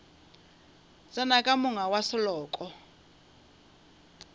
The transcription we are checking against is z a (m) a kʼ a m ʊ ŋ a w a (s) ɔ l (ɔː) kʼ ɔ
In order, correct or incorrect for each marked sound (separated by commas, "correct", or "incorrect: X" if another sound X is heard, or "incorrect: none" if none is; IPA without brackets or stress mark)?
incorrect: n, correct, correct